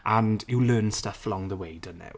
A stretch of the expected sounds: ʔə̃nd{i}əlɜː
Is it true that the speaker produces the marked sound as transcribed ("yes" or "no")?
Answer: no